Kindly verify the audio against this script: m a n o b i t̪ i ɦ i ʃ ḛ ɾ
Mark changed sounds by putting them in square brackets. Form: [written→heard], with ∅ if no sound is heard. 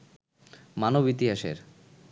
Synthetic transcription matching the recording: m a n o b i t̪ i ɦ [i→a] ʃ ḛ ɾ